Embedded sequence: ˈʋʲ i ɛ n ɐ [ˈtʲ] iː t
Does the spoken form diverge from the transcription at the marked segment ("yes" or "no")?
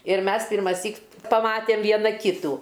yes